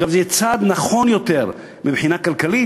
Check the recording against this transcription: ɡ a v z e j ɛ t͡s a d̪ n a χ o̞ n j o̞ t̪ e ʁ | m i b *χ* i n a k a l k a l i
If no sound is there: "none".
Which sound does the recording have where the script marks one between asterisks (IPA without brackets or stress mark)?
ħ